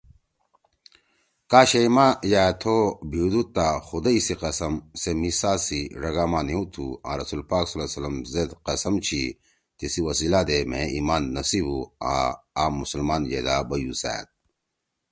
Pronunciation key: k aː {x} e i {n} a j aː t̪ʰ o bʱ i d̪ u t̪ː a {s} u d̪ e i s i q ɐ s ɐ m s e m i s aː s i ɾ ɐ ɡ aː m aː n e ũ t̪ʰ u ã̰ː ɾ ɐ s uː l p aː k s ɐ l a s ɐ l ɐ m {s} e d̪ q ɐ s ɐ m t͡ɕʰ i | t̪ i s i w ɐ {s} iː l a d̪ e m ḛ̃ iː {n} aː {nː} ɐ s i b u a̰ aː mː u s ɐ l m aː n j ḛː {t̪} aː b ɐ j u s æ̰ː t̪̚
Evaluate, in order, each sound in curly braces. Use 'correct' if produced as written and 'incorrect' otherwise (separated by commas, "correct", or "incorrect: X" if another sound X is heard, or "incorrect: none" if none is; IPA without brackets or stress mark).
incorrect: ɕ, incorrect: m, incorrect: x, incorrect: z, correct, incorrect: m, correct, incorrect: d̪